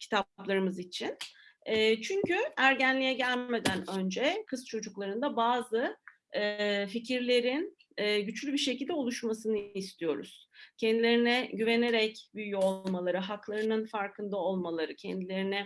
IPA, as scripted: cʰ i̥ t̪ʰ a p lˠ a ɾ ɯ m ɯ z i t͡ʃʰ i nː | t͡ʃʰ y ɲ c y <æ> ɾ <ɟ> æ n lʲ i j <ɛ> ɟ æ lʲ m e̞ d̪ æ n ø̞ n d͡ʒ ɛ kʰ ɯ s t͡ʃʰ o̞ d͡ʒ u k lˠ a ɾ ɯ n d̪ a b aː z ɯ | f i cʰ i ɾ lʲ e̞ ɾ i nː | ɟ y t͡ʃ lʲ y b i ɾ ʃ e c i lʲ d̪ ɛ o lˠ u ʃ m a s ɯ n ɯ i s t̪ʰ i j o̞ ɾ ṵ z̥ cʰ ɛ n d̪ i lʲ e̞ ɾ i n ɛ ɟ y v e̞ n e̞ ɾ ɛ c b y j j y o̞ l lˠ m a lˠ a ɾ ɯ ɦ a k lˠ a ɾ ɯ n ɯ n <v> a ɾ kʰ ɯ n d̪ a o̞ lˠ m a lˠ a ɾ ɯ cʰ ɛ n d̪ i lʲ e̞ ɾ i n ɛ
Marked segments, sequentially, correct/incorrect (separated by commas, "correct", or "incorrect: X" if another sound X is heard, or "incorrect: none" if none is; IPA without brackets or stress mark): correct, correct, correct, incorrect: f